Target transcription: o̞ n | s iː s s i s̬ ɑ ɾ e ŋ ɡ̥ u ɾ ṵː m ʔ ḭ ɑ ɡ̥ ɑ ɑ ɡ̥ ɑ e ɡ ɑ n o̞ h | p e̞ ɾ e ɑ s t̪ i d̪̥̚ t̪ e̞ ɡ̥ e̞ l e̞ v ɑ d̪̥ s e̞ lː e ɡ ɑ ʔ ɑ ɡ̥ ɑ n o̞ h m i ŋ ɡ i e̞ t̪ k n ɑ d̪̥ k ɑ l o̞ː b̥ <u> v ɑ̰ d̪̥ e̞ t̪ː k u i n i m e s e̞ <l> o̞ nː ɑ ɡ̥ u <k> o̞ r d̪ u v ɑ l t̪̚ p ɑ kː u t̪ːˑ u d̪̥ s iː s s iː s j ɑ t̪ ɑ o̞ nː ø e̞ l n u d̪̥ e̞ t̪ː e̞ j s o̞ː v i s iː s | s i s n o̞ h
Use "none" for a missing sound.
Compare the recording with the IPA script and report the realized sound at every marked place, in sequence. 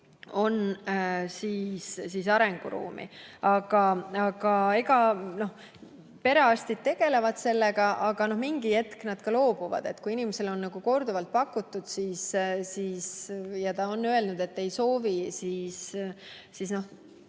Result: u, l, k

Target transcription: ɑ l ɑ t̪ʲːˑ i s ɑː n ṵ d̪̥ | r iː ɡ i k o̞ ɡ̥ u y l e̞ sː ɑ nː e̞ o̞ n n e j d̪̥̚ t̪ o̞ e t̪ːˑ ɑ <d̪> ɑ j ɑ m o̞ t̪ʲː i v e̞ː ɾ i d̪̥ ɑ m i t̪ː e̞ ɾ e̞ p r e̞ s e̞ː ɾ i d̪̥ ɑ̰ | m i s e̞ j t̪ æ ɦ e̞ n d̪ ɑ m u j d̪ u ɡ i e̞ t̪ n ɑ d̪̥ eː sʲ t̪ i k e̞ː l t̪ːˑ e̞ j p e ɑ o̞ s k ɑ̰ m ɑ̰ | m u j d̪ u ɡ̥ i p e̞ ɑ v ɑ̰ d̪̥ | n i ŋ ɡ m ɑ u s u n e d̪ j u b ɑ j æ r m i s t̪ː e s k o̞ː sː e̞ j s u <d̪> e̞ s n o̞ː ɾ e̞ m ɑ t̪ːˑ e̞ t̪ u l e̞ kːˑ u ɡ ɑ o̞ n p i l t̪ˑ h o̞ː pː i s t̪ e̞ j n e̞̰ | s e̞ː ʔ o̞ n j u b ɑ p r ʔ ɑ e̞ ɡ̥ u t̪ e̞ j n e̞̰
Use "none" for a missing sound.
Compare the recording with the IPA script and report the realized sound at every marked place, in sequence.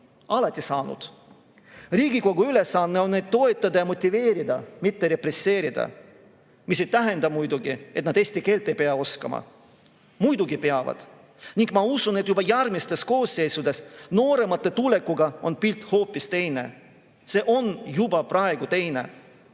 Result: d̪, d̪

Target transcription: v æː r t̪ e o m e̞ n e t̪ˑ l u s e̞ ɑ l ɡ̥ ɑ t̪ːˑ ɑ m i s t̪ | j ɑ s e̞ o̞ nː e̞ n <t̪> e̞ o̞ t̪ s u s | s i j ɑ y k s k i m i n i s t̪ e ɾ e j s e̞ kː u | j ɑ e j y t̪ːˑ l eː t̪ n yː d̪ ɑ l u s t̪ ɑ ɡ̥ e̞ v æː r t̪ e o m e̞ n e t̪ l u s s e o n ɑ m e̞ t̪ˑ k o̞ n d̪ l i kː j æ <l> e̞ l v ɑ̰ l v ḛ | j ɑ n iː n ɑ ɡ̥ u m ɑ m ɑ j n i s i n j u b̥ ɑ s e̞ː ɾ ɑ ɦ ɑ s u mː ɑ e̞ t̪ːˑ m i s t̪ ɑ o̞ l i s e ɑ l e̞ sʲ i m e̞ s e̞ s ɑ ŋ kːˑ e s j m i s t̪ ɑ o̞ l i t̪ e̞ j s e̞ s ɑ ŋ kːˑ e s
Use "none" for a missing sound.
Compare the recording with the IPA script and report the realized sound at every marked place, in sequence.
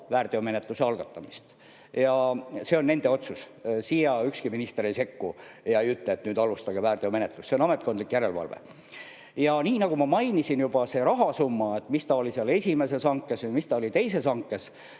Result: d̪, ɾ

